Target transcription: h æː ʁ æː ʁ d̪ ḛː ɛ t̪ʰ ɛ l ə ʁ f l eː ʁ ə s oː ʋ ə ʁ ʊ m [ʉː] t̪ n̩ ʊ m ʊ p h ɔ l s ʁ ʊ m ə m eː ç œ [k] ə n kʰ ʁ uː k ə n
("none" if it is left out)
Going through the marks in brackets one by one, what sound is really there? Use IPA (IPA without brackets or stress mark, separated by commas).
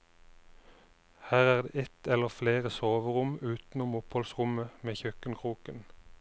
ʉː, k